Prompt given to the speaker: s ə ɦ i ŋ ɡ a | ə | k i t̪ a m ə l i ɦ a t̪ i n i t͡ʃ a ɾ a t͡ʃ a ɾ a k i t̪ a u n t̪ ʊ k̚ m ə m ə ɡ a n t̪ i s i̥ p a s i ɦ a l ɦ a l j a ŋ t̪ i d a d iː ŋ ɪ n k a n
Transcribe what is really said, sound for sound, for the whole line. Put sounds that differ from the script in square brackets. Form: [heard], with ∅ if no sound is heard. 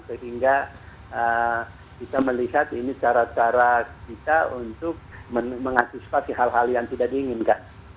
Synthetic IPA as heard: s ə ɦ i ŋ ɡ a | ə | k i t̪ a m ə l i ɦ a t̪ i n i t͡ʃ a ɾ a t͡ʃ a ɾ a k i t̪ a u n t̪ ʊ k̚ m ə m ə [ŋ] a n t̪ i s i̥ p a s i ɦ a l ɦ a l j a ŋ t̪ i d a d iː ŋ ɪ n k a n